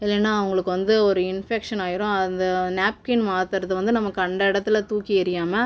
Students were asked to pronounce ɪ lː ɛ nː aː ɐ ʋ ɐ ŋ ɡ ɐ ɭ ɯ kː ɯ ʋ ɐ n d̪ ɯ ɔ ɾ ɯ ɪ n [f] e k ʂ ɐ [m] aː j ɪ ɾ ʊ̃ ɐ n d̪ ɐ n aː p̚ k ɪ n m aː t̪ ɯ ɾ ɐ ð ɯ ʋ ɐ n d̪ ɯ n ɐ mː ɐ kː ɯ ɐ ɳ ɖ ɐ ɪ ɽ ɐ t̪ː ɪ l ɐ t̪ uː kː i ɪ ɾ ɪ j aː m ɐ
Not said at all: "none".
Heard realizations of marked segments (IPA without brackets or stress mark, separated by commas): f, n